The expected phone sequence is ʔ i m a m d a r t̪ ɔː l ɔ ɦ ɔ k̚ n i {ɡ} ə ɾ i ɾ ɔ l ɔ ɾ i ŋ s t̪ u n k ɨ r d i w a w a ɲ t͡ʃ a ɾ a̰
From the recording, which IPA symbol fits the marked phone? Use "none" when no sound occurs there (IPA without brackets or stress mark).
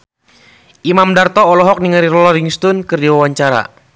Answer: ŋ